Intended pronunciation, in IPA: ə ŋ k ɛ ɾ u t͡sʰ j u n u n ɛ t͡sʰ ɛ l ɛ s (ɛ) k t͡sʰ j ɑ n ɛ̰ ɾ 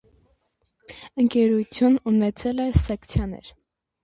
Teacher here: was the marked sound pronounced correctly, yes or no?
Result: yes